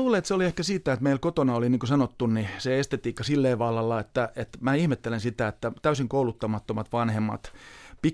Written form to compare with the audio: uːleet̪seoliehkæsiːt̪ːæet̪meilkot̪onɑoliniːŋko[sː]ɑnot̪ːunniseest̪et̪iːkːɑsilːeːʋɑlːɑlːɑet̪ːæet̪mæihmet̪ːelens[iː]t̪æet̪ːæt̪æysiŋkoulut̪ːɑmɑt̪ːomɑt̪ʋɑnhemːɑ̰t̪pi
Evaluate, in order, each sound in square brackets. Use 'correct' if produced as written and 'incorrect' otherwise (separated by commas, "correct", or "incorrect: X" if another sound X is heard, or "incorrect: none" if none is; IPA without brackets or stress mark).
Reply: incorrect: s, incorrect: i